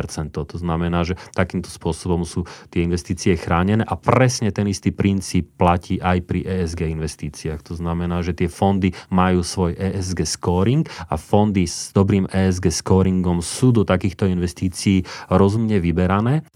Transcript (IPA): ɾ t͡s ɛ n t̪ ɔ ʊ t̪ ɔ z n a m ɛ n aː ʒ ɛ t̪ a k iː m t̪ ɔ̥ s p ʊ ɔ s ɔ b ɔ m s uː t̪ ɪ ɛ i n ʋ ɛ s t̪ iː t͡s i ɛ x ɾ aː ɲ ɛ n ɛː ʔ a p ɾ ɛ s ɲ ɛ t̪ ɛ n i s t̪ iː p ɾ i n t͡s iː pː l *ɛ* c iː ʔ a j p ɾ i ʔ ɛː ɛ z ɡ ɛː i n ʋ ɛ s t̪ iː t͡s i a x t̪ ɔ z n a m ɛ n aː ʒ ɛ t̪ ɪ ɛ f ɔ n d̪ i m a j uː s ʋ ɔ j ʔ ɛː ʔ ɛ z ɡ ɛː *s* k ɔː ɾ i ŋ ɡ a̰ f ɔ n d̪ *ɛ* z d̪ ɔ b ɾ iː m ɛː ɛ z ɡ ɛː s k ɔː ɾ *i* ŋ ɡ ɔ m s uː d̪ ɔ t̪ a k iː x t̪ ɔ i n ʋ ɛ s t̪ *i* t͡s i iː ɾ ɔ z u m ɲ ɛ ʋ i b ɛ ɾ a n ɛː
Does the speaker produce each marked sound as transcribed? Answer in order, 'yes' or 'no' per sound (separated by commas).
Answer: no, yes, no, yes, no